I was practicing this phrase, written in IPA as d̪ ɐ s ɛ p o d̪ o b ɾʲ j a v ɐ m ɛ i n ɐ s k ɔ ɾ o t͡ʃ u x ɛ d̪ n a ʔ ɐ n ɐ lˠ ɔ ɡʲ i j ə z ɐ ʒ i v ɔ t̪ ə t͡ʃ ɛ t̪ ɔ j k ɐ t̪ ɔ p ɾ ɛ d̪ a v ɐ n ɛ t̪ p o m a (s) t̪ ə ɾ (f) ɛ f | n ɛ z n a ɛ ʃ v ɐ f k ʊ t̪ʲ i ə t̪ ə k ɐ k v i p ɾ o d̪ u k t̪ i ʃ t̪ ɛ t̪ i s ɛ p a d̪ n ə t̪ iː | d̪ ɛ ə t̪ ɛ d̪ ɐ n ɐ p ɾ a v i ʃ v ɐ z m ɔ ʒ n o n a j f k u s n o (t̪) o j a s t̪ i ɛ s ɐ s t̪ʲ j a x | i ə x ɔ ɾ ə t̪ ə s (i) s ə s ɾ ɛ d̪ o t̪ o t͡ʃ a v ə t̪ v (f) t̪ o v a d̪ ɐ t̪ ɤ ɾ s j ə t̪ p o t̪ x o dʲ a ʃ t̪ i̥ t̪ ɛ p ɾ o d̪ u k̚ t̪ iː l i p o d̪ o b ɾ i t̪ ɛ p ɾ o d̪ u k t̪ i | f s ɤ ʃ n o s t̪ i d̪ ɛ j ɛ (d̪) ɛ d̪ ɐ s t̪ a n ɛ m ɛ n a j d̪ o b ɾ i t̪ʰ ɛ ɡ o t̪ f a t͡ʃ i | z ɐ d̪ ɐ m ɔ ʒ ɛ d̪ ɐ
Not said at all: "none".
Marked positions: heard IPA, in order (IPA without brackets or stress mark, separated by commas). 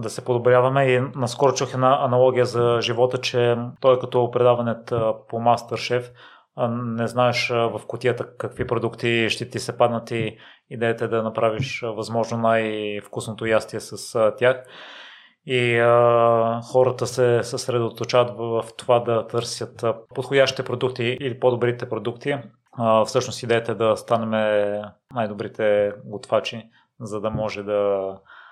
s, ʃ, t̪, ɛ, f, t̪